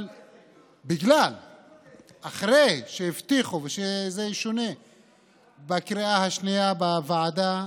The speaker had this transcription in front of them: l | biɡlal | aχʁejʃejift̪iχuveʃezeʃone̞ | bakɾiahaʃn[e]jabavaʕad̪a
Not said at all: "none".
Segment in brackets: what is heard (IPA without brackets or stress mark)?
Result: i